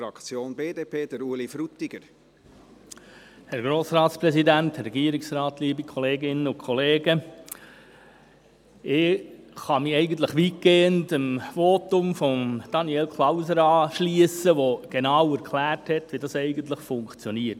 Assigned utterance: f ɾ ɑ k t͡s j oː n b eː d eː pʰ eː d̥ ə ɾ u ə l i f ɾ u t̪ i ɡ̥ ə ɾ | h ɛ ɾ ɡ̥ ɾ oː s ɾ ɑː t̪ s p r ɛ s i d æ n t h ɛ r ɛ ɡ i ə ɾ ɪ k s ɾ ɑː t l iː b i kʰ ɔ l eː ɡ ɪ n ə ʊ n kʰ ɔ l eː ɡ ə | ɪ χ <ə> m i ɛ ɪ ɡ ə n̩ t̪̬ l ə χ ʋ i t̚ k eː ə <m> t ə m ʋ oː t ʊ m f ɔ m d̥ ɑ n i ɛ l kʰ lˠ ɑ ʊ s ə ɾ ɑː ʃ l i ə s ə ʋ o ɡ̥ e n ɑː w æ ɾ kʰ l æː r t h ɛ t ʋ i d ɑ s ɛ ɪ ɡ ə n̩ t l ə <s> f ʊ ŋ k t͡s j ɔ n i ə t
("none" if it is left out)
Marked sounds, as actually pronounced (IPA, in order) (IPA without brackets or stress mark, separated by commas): ɑ, n, χ